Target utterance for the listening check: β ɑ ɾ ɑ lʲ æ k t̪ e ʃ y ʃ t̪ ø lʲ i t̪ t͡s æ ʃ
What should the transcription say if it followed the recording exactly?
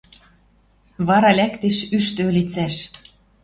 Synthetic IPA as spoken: β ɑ ɾ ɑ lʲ æ k t̪ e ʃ y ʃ t̪ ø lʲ i t͡s æ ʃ